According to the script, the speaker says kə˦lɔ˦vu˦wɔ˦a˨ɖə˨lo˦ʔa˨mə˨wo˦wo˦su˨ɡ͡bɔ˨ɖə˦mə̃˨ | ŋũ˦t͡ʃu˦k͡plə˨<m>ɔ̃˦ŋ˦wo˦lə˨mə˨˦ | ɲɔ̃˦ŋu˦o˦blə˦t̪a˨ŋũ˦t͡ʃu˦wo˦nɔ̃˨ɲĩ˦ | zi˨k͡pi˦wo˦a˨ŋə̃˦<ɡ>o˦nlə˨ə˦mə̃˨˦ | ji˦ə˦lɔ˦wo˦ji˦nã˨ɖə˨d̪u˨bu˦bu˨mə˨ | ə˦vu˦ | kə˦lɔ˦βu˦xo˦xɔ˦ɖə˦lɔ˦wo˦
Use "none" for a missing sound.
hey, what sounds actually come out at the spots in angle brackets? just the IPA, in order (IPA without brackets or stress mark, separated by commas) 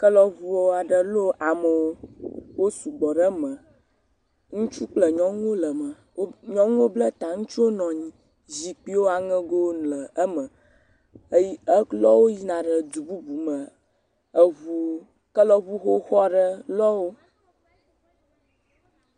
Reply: ɲ, ɡ